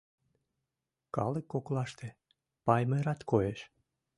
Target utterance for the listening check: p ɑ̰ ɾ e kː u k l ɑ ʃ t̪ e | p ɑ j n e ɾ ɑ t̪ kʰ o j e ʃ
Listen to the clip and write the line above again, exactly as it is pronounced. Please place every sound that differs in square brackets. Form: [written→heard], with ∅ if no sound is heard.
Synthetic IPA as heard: [p→k] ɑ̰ [ɾ→l] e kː [u→o] k l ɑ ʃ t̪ e | p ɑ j [n→m] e ɾ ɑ t̪ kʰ o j e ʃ